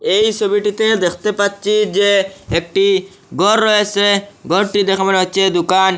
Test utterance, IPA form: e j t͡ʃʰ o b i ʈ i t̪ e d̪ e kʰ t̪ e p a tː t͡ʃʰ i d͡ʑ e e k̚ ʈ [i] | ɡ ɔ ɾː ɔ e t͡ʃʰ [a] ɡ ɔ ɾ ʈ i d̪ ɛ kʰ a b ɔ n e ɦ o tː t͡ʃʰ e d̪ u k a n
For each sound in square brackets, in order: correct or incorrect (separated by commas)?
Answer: correct, incorrect